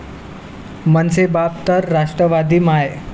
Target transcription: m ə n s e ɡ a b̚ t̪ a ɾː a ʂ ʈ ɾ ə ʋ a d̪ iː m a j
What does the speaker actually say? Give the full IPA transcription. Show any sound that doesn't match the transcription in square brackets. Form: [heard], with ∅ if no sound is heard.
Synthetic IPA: m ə n s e [b] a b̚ t̪ [ə] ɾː a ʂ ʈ ɾ ə ʋ a d̪ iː m a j